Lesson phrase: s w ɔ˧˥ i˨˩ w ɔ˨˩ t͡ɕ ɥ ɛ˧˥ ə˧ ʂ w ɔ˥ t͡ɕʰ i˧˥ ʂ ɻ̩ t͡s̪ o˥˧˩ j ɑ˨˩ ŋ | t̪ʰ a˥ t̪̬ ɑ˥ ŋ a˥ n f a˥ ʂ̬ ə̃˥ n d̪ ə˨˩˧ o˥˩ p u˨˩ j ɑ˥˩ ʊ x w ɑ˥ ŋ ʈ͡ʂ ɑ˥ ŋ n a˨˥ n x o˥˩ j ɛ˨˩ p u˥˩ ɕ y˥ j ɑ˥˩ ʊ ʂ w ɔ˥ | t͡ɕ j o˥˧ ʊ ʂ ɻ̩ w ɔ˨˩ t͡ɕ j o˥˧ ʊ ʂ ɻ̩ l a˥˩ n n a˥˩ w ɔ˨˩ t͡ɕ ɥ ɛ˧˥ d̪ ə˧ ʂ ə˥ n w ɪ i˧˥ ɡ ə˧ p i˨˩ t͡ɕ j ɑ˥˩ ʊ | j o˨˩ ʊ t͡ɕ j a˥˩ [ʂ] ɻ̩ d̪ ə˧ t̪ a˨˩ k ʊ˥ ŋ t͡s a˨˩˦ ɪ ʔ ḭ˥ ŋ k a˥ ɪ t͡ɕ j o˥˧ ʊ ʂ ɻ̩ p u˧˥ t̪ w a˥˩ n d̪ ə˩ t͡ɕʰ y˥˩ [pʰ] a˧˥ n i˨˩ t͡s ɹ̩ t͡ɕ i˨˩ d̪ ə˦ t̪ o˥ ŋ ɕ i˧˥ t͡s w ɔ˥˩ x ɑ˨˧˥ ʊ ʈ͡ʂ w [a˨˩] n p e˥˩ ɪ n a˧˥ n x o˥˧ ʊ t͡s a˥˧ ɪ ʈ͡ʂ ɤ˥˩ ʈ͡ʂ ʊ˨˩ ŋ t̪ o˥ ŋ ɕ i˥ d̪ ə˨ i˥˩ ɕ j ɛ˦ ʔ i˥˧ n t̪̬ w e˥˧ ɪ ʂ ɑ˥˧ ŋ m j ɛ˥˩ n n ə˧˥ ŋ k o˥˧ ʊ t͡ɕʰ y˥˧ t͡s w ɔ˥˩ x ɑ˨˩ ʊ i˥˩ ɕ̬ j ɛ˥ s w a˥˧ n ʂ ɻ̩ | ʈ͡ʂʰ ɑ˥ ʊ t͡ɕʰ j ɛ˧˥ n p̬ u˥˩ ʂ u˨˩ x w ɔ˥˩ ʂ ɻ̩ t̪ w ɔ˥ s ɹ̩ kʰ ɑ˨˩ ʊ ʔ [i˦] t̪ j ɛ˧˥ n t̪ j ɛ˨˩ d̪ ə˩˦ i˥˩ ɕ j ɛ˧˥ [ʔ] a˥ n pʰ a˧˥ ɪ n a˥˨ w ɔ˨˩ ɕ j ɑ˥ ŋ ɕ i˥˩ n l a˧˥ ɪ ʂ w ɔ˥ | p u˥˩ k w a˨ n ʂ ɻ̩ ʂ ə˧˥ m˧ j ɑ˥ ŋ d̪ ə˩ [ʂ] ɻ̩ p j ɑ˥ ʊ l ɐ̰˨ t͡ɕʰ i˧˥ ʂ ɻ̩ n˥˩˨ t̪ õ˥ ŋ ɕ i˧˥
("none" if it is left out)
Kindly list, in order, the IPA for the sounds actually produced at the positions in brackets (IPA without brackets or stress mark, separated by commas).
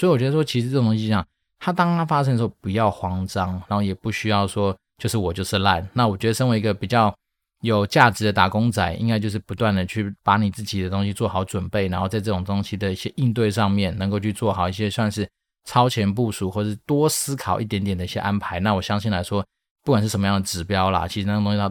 ʈ͡ʂ, p, ə˨˩, i˥˩, ʔ, ʈ͡ʂ